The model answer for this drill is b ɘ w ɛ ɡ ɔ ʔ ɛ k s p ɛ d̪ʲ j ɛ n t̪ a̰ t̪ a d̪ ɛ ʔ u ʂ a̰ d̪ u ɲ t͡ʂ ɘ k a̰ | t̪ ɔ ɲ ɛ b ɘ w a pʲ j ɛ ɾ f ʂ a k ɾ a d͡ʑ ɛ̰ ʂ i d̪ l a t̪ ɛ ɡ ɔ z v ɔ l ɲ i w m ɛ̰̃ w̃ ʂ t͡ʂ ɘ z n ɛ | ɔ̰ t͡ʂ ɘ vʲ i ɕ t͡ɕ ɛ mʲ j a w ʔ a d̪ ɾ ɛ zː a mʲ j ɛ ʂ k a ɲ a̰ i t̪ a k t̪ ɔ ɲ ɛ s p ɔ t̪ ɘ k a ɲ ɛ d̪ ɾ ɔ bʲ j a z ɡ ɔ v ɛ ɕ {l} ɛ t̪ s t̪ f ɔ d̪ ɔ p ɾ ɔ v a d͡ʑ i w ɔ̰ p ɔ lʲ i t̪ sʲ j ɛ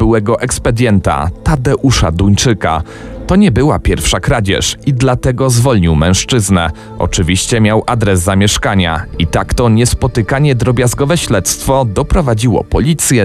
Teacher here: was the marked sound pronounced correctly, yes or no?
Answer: yes